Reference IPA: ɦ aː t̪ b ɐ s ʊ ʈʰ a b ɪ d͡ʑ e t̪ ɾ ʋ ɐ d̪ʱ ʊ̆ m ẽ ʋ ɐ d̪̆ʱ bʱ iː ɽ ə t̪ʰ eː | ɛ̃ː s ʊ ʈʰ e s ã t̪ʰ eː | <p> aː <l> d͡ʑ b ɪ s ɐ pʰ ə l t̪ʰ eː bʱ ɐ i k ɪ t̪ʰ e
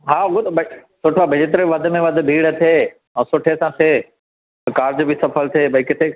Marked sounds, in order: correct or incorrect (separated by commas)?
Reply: incorrect, incorrect